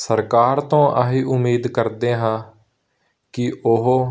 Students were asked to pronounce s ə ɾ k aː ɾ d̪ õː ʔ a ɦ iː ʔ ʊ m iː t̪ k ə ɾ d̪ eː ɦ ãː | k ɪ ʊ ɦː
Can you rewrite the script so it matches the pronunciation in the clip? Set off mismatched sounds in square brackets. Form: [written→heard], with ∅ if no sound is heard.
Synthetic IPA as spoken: s ə ɾ k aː ɾ [d̪→t̪] õː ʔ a ɦ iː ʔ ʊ m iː [t̪→d̪] k ə ɾ d̪ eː ɦ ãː | k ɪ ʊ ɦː